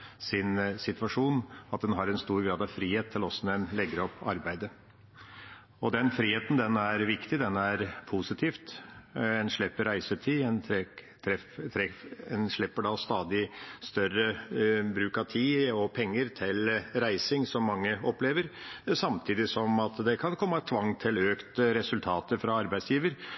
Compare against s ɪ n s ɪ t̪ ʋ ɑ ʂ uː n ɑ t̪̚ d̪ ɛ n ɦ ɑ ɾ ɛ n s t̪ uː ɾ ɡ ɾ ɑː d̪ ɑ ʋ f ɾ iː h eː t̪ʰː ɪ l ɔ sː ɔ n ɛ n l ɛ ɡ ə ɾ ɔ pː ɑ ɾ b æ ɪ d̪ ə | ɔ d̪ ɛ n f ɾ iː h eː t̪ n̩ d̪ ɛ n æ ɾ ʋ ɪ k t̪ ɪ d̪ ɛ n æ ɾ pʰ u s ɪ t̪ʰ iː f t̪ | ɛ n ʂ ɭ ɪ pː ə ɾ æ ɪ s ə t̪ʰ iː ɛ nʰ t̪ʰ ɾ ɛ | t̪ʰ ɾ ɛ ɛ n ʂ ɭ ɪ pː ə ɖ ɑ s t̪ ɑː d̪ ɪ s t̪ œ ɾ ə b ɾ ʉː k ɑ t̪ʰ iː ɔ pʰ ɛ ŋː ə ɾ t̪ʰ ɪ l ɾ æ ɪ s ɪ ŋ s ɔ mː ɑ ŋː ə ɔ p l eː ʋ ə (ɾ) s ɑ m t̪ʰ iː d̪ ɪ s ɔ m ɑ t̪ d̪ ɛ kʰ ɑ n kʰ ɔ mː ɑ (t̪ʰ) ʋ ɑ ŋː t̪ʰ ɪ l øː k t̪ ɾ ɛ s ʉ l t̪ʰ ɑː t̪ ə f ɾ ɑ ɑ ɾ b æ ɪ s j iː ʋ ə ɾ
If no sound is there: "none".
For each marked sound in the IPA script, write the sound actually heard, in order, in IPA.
ɾ, t̪ʰ

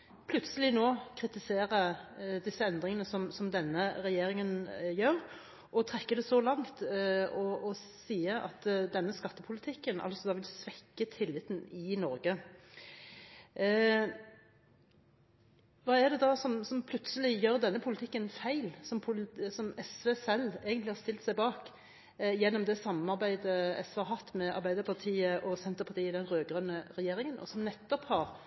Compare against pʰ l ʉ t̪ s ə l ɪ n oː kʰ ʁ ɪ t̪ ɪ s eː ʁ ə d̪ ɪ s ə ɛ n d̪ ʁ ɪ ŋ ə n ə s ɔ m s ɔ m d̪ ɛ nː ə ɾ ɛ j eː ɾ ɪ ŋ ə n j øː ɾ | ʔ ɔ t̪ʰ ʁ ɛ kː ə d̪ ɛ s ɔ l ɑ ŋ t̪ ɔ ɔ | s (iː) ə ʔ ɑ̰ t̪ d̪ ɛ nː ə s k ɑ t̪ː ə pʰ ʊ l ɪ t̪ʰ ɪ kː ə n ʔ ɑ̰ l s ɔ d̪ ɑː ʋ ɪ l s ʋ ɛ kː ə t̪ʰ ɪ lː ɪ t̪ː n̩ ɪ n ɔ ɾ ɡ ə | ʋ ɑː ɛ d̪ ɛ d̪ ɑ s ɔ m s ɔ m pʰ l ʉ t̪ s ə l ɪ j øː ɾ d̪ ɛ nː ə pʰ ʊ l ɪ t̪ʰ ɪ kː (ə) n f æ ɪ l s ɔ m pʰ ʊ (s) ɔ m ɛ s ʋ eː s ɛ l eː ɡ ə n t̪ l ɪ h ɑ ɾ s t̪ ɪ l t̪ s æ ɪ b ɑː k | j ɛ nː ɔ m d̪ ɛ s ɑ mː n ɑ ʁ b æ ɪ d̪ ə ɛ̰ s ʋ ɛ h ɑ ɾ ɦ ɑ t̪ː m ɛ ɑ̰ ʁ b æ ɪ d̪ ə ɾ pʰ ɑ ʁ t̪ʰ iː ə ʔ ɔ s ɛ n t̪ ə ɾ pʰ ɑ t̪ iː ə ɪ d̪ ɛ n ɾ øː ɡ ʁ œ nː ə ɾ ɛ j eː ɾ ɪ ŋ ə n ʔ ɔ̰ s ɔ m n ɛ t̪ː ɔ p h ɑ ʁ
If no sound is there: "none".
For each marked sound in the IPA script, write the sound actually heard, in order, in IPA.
iː, ə, s

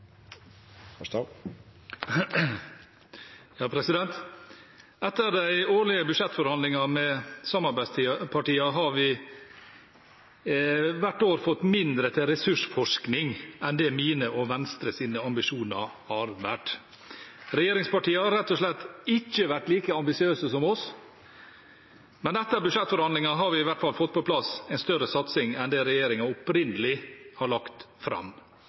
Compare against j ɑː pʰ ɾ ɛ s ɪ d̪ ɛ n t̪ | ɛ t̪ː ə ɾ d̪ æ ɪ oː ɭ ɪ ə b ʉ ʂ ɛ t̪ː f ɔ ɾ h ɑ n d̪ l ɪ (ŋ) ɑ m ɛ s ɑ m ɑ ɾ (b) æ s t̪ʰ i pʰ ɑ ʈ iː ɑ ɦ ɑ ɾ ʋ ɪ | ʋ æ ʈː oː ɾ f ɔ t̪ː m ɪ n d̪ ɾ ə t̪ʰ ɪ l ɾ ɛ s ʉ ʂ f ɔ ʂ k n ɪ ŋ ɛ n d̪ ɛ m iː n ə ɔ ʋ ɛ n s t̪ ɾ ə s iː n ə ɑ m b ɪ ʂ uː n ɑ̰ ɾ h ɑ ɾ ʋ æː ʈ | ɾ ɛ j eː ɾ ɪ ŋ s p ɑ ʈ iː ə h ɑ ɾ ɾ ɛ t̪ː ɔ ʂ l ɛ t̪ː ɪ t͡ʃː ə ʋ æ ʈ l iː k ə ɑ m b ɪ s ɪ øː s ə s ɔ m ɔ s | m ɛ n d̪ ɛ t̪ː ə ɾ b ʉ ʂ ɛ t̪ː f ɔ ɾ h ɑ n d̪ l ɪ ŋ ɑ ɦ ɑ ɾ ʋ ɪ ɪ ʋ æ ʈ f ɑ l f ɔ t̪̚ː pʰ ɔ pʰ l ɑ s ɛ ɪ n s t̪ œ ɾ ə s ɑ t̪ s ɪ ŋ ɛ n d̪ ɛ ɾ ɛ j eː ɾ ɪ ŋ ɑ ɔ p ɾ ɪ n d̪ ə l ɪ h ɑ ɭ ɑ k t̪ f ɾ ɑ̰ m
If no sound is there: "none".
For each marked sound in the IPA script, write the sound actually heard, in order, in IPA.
ŋ, b

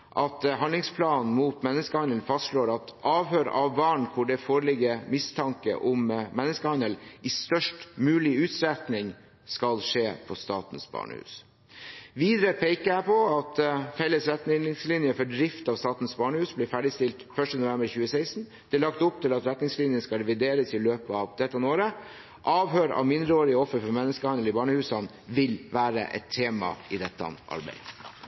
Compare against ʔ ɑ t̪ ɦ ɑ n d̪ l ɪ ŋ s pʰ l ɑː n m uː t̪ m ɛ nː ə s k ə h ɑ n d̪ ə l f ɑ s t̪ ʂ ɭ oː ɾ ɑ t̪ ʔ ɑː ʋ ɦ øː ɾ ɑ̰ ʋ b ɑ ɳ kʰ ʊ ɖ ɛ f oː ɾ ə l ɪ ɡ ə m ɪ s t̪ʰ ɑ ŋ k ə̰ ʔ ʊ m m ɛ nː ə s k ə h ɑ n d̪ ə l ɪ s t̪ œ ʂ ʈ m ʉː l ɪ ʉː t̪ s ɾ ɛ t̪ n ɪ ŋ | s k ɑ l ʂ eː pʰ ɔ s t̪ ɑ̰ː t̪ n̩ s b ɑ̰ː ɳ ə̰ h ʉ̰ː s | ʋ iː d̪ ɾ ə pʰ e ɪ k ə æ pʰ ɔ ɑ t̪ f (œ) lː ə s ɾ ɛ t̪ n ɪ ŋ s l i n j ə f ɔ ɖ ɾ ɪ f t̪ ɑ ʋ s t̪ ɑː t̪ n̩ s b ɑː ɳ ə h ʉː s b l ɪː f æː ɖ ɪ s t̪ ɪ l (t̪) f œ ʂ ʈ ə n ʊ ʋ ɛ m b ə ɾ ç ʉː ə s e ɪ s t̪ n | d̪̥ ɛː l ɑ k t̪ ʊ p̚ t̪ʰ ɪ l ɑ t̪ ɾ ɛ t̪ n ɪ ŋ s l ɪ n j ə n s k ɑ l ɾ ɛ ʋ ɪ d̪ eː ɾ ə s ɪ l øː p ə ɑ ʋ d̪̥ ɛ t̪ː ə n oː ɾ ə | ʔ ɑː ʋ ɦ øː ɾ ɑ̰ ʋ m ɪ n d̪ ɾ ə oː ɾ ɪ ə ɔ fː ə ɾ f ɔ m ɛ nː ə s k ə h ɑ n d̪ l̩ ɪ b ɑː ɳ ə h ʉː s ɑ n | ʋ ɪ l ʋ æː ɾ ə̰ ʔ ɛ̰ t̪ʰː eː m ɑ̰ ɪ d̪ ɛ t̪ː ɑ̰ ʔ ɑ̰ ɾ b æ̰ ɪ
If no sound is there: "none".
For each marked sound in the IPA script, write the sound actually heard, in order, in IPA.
ɛ, t̪

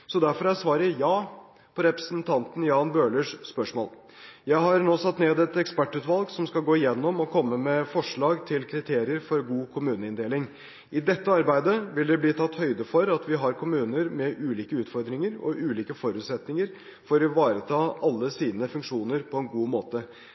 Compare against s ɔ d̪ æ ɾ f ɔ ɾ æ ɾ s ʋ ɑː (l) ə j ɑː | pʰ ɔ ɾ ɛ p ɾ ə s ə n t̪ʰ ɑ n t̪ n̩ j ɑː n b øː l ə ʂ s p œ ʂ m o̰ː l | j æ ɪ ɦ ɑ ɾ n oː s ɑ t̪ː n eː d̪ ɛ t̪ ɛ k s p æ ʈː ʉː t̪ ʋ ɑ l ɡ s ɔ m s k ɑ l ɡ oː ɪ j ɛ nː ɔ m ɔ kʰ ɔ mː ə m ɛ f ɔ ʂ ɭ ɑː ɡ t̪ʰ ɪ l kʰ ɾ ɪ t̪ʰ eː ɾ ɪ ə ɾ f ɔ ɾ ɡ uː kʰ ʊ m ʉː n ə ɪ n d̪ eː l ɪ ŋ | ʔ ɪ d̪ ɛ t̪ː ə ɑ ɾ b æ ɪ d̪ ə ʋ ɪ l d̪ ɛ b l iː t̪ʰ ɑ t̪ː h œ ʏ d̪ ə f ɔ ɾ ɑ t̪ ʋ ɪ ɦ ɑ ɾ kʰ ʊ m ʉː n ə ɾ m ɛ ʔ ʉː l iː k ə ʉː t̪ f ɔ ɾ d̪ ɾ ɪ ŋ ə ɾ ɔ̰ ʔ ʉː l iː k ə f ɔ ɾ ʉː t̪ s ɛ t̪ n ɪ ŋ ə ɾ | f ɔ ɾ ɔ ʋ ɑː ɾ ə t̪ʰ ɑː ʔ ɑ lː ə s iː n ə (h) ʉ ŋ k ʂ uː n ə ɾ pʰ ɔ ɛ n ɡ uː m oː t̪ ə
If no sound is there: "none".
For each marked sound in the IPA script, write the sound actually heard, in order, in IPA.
ɾ, f

